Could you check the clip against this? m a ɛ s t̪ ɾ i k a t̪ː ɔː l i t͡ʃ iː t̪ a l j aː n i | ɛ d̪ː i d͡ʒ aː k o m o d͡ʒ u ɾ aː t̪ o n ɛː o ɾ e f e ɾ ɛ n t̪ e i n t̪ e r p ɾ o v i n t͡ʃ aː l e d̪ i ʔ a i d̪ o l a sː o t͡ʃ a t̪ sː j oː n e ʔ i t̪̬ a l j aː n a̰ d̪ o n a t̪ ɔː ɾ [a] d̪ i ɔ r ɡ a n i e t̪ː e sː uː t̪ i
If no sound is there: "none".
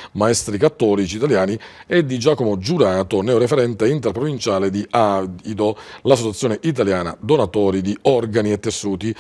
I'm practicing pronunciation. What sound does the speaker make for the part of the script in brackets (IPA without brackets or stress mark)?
i